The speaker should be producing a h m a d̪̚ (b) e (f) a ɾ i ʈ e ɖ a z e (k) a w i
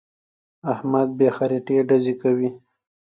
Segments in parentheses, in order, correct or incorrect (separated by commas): correct, incorrect, correct